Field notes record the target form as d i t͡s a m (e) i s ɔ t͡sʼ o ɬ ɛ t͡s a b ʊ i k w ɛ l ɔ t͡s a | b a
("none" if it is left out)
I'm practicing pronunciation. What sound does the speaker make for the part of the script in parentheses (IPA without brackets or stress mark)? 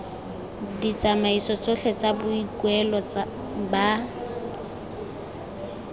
a